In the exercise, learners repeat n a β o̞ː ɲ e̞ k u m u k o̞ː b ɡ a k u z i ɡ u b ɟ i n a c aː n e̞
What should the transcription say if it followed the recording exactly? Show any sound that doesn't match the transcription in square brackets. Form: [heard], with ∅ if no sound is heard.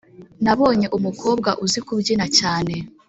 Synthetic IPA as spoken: n a β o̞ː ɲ e̞ [ʔ] u m u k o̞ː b ɡ a [ʔ] u z i [k] u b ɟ i n a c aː n e̞